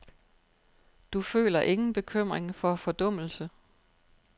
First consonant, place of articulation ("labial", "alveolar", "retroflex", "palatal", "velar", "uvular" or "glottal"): alveolar